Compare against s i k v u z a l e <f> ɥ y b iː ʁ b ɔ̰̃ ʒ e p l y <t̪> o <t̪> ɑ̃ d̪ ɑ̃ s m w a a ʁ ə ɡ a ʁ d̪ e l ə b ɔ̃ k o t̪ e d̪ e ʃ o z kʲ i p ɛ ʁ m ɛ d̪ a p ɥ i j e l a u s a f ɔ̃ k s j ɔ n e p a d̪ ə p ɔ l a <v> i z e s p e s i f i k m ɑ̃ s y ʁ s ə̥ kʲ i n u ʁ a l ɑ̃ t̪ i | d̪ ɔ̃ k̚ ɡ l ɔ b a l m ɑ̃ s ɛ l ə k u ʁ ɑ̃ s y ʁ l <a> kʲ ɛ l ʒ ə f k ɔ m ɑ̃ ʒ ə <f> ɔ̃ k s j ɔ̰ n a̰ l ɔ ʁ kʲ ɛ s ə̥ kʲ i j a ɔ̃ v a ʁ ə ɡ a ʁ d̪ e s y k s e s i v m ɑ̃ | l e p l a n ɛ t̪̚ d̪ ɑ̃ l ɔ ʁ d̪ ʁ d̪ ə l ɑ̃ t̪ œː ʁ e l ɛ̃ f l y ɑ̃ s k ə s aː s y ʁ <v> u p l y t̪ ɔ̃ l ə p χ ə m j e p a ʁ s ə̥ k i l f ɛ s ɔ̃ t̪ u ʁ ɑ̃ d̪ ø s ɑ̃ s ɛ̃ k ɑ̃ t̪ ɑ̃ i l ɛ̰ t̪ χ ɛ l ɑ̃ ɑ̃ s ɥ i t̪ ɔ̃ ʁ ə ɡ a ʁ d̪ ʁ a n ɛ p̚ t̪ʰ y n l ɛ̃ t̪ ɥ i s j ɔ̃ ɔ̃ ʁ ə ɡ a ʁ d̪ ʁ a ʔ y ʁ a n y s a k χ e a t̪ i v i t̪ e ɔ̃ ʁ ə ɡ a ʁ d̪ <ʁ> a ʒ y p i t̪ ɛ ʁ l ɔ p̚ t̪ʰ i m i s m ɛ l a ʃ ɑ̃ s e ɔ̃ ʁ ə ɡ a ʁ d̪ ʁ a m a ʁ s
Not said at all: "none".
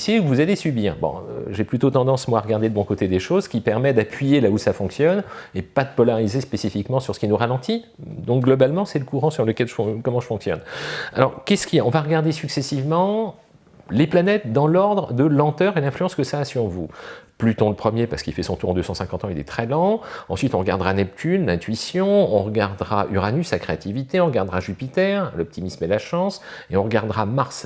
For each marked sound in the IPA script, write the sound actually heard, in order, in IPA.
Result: s, t̪, t̪, ʁ, ə, f, v, ʁ

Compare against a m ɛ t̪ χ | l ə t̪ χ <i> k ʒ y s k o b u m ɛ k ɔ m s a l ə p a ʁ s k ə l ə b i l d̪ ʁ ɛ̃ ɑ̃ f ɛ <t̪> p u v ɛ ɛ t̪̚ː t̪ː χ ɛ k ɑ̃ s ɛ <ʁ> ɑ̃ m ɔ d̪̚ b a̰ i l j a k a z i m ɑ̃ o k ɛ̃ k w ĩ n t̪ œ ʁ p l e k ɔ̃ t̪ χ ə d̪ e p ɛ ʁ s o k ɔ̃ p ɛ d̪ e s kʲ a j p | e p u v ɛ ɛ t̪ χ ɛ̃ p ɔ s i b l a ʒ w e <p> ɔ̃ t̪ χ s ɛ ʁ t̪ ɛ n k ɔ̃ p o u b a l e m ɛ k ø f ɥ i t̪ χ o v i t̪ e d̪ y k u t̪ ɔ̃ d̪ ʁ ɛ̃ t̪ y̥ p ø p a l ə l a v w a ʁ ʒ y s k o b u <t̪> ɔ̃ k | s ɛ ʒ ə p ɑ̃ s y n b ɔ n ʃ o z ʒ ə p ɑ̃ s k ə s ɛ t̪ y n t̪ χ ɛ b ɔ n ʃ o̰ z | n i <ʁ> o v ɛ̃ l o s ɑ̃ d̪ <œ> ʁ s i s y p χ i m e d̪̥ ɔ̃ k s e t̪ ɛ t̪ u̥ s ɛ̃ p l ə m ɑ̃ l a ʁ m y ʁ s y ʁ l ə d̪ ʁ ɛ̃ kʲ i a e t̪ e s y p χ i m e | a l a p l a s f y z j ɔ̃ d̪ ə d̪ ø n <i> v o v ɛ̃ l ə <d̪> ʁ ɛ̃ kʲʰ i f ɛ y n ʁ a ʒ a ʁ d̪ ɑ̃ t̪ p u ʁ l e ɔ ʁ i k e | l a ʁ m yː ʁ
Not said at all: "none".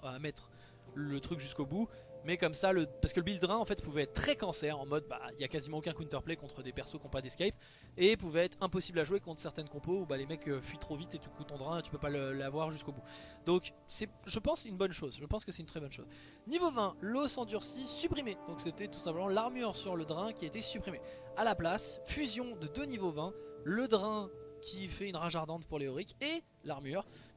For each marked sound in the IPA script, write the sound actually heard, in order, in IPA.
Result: y, t̪, ʁ, k, d̪, v, y, i, d̪

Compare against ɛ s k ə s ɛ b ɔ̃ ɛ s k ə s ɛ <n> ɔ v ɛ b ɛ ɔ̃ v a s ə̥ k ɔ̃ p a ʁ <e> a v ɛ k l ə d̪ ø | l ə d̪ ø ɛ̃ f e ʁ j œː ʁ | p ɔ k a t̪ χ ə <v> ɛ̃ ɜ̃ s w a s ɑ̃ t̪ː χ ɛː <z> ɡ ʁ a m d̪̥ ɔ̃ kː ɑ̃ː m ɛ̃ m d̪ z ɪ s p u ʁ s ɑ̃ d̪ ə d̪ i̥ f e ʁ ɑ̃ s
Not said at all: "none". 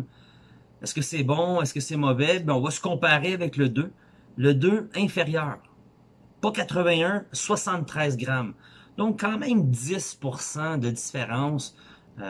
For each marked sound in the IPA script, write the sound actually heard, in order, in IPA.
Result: m, e, v, z

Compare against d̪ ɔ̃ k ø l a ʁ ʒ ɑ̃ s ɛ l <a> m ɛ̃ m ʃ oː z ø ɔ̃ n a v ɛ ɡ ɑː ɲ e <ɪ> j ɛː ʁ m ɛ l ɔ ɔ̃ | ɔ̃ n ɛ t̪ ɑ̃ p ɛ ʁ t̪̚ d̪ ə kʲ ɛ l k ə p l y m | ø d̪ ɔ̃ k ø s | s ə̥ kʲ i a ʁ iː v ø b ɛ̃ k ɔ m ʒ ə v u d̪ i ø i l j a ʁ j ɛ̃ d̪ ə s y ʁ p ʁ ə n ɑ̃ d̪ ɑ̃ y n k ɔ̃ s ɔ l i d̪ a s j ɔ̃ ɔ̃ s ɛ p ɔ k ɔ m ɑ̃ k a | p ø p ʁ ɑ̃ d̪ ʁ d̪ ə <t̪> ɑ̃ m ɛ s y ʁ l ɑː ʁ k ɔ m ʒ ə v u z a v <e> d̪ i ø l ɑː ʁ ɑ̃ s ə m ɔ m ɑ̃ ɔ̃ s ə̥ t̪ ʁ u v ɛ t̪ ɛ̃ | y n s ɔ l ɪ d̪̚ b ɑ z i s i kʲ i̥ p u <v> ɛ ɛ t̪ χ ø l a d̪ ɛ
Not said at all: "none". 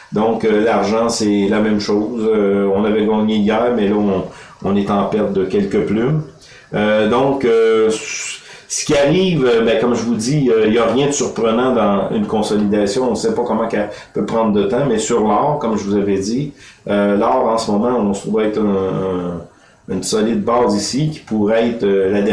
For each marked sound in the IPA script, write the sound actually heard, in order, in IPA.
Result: a, i, t̪, ɛ, ʁ

